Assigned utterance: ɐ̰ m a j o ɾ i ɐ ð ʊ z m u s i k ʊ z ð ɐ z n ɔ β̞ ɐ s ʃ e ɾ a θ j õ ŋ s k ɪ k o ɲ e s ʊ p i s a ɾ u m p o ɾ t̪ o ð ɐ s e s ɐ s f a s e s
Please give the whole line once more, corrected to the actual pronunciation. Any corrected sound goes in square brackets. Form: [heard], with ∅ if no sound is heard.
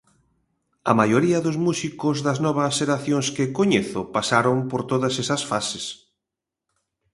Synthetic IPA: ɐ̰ m a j o ɾ i ɐ ð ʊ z m u s i k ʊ z ð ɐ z n ɔ β̞ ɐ s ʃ e ɾ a θ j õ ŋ s k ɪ k o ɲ e [θ] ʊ p [a] s a ɾ [o] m p o ɾ t̪ o ð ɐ s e s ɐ s f a s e s